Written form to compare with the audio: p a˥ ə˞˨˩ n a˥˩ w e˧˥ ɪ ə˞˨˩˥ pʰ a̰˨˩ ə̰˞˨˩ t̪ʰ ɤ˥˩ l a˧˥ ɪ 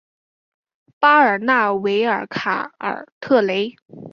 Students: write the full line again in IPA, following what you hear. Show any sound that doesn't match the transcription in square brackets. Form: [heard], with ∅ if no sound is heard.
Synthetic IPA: p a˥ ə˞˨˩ n a˥˩ w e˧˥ ɪ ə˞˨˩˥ [kʰ] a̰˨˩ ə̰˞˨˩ t̪ʰ ɤ˥˩ l [e˧˥] ɪ